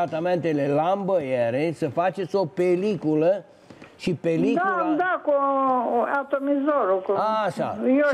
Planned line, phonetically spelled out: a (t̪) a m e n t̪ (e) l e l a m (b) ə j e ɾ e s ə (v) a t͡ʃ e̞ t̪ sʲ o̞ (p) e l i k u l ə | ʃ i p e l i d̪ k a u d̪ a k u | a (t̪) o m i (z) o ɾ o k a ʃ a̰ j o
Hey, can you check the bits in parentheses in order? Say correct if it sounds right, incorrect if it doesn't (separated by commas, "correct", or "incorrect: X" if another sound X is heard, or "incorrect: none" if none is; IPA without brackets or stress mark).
correct, correct, correct, incorrect: f, correct, correct, correct